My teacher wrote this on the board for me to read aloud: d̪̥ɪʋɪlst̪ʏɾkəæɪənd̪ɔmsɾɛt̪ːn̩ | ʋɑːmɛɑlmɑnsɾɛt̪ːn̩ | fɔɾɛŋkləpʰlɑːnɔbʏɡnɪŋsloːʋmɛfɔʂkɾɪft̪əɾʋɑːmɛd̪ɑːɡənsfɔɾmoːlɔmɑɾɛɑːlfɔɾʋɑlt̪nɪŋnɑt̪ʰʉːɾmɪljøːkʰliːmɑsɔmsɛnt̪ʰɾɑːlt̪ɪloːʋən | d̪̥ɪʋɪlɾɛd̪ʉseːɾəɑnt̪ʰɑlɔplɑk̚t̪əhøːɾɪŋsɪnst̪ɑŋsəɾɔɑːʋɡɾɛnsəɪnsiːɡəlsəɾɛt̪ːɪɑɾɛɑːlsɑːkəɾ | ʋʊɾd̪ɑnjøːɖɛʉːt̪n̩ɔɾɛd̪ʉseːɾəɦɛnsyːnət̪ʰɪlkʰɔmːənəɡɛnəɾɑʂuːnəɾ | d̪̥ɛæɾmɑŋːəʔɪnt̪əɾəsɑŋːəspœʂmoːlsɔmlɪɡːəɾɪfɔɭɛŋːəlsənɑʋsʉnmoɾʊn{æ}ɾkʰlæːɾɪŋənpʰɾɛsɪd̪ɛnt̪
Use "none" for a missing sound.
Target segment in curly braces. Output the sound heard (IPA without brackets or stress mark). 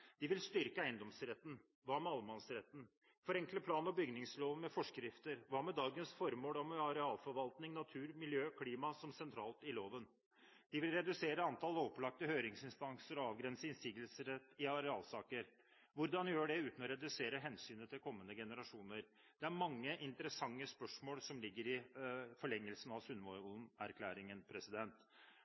æ